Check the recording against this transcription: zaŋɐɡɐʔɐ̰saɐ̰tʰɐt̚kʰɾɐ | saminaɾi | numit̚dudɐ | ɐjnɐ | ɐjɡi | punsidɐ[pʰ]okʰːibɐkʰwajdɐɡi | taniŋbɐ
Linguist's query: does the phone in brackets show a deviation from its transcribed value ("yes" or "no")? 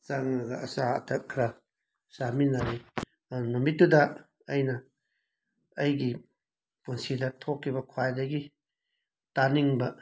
yes